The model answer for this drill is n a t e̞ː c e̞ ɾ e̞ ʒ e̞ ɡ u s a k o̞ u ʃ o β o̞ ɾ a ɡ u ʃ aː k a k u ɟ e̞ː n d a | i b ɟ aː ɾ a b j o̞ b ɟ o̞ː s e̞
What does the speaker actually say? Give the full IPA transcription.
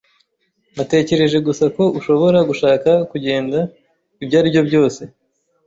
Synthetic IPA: n a t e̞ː c e̞ ɾ e̞ ʒ e̞ ɡ u s a k o̞ u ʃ o β o̞ ɾ a ɡ u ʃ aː k a k u ɟ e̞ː n d a | i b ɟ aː ɾ i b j o̞ b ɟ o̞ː s e̞